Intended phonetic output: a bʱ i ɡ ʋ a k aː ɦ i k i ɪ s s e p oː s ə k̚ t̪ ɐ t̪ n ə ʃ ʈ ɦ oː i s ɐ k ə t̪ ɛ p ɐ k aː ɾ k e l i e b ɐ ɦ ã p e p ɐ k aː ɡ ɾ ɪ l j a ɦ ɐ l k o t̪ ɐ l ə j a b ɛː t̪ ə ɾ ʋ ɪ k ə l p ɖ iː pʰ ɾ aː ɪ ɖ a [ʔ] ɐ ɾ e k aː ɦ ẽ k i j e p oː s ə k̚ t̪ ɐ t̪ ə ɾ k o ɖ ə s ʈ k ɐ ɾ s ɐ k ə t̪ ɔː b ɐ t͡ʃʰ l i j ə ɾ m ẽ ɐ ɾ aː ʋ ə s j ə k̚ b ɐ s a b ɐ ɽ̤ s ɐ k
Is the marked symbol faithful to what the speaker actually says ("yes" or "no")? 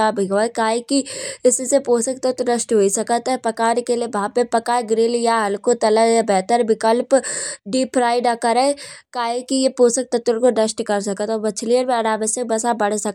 no